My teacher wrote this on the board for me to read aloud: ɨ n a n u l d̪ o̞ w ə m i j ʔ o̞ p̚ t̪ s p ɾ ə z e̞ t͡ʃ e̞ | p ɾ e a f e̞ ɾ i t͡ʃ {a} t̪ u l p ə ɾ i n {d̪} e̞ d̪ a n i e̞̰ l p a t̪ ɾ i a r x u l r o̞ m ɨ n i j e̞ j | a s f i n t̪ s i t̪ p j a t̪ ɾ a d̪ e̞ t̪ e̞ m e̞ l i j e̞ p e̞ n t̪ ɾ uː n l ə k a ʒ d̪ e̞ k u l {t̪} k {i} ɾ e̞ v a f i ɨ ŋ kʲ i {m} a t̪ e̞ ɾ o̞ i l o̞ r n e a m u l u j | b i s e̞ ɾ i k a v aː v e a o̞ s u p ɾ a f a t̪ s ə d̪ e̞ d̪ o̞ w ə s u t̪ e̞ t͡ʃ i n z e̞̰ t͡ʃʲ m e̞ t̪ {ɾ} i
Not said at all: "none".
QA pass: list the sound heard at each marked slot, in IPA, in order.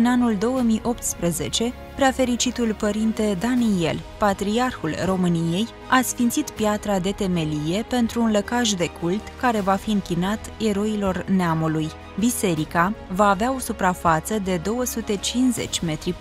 i, t̪, t̪, a, n, ɾ

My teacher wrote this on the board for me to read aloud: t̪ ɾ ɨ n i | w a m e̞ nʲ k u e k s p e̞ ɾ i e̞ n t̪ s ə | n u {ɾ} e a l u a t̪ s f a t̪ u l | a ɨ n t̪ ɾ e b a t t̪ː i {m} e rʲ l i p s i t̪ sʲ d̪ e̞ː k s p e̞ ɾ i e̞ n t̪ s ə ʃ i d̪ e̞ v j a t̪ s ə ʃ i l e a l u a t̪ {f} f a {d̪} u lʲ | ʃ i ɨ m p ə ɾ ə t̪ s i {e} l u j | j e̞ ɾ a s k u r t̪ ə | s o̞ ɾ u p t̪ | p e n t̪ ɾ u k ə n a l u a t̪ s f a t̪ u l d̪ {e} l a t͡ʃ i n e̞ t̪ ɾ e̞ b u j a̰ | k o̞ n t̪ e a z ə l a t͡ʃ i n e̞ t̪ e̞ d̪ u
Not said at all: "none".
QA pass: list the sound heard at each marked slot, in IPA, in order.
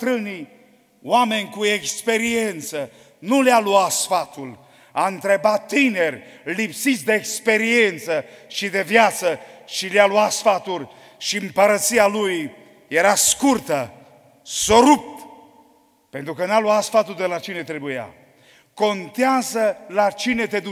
l, n, s, t̪, a, e

